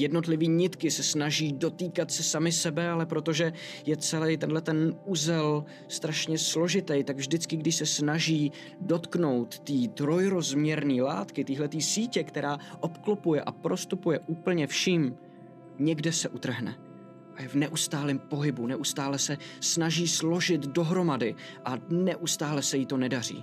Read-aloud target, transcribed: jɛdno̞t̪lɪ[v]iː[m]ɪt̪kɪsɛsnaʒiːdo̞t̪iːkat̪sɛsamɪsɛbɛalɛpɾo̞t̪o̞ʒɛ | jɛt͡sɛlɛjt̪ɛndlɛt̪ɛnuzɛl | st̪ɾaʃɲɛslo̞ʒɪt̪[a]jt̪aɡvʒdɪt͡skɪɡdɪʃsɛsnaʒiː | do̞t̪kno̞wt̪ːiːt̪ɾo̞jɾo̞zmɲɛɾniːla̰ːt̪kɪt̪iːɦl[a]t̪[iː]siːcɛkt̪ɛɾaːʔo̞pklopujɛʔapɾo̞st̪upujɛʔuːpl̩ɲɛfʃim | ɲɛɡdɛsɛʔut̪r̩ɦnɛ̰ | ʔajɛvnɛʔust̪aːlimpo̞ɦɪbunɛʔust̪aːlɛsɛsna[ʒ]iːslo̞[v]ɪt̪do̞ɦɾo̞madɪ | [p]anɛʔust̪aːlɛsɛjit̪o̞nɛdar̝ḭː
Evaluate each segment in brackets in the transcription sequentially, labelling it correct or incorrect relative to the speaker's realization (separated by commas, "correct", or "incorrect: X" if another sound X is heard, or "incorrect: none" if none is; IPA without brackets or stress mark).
correct, incorrect: ɲ, incorrect: ɛ, incorrect: ɛ, correct, correct, incorrect: ʒ, incorrect: ʔ